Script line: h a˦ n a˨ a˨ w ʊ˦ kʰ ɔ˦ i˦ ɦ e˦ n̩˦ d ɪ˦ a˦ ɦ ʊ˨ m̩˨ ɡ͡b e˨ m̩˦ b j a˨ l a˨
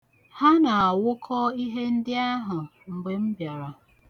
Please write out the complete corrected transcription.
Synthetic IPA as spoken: h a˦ n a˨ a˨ w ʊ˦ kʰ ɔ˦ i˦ ɦ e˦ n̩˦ d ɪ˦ a˦ ɦ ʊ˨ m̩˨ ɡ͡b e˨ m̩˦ b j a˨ ɾ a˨